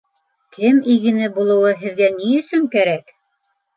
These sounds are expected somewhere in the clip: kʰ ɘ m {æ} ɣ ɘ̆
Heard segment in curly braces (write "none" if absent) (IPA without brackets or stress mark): i